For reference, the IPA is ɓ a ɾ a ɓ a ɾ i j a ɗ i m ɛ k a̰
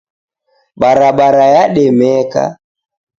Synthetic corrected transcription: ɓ a ɾ a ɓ a ɾ a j a ɗ ɛ m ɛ k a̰